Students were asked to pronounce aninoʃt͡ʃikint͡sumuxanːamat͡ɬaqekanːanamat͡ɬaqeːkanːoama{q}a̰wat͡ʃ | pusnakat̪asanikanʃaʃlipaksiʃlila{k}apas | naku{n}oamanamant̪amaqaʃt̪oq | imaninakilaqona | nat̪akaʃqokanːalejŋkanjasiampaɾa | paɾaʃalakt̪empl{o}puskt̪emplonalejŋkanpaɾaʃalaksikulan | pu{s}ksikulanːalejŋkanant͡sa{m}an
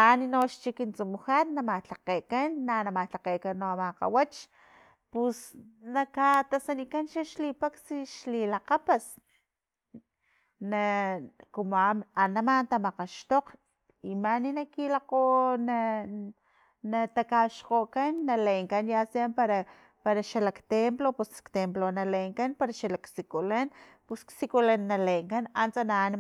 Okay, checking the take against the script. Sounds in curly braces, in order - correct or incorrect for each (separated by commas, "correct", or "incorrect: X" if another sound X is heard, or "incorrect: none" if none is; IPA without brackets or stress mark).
correct, incorrect: q, incorrect: m, correct, correct, incorrect: n